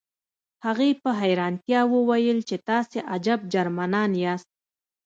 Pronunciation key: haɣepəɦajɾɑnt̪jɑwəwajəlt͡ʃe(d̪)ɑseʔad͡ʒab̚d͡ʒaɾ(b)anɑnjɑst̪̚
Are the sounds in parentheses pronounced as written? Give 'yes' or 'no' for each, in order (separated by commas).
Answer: no, no